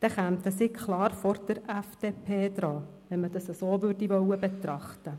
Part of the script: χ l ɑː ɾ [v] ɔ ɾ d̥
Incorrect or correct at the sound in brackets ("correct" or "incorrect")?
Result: incorrect